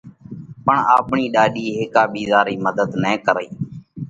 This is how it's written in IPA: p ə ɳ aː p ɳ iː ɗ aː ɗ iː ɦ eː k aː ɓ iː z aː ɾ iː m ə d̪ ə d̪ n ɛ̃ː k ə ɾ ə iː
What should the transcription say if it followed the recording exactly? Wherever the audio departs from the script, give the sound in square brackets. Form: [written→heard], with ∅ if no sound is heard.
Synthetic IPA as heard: p ə ɳ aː p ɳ iː ɗ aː ɗ iː ɦ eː k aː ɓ iː z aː ɾ iː m ə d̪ ə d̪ n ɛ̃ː k ə ɾ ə iː